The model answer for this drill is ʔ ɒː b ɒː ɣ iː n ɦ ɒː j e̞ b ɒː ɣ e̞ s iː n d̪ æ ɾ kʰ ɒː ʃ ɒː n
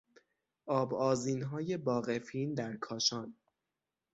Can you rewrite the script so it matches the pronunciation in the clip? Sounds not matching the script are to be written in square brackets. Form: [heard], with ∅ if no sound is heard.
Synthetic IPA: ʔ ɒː b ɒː [z] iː n ɦ ɒː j e̞ b ɒː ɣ e̞ [f] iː n d̪ æ ɾ kʰ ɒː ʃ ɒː n